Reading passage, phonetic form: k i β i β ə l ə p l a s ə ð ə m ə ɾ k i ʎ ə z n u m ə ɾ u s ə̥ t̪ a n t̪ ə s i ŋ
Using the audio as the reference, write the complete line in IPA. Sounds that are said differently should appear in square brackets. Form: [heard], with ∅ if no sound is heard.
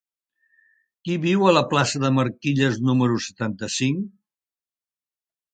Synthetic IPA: k i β i [w] ə l ə p l a s ə ð ə m ə ɾ k i ʎ ə z n u m ə ɾ u s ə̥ t̪ a n t̪ ə s i ŋ

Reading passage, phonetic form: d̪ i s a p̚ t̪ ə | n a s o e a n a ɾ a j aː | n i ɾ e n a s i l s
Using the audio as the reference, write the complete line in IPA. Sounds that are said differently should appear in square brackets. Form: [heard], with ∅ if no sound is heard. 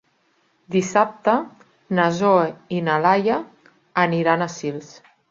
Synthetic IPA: d̪ i s a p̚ t̪ ə | n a [z] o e [i] n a [l] a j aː | n i ɾ [a] n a s i l s

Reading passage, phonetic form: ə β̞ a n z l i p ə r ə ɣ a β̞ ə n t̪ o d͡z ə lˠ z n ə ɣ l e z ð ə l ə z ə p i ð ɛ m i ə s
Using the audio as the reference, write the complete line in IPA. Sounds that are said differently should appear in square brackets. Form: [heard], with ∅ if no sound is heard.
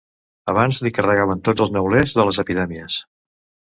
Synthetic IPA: ə β̞ a n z l i [k] ə r ə ɣ a β̞ ə n t̪ o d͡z ə lˠ z n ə [w] l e z ð ə l ə z ə p i ð ɛ m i ə s

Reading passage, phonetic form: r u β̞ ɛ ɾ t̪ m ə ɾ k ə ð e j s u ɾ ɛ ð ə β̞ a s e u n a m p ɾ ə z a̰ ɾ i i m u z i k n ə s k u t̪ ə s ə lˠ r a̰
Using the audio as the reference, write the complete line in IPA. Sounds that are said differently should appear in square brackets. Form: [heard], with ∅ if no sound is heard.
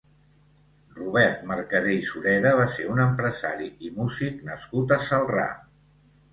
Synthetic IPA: r u β̞ ɛ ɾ t̪ m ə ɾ k ə ð e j s u ɾ ɛ ð ə β̞ a s e u n [ə] m p ɾ ə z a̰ ɾ i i m u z i k n ə s k u t̪ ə s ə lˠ r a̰

